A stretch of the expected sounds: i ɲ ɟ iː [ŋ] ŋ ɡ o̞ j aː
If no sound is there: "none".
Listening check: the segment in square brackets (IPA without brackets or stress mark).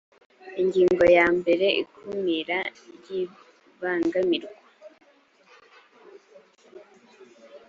ŋ